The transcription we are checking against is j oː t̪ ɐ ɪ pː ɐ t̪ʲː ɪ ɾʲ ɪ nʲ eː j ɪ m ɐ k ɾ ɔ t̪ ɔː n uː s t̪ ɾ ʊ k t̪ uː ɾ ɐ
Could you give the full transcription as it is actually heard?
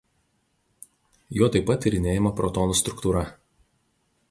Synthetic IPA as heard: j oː t̪ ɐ ɪ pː ɐ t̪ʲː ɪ ɾʲ ɪ nʲ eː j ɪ m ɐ p ɾ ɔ t̪ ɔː n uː s t̪ ɾ ʊ k t̪ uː ɾ ɐ